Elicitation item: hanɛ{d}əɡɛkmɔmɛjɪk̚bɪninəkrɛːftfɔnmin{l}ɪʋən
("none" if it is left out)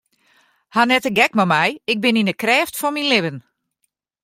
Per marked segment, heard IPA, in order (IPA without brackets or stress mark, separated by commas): t, l